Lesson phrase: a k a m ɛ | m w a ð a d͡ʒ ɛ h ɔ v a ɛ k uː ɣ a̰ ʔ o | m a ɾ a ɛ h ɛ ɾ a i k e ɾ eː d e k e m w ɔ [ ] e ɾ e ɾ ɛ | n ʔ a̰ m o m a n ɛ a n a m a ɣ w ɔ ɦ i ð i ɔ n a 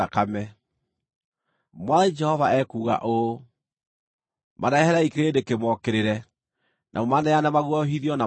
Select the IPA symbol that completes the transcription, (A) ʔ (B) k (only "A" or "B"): B